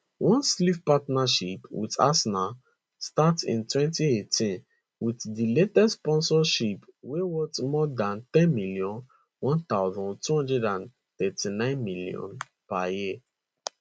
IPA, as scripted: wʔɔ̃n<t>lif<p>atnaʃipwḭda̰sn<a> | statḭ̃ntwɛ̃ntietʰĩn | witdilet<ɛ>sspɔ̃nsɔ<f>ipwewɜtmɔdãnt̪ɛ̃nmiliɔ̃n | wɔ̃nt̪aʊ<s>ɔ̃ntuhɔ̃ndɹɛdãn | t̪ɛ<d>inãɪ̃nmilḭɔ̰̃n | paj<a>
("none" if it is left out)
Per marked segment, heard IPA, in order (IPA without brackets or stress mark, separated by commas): s, p, a, ɛ, ʃ, z, t, i